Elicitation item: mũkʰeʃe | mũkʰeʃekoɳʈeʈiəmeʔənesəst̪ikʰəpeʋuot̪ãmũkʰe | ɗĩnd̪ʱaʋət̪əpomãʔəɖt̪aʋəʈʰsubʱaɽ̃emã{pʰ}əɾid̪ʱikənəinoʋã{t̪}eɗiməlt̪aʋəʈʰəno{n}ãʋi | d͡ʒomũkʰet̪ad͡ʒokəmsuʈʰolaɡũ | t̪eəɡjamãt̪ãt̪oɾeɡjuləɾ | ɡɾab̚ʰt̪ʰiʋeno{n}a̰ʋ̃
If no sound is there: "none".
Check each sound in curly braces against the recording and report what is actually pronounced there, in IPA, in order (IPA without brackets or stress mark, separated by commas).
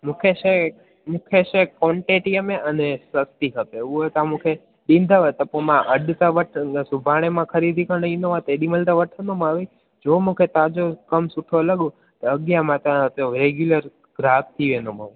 kʰ, t̪, m, m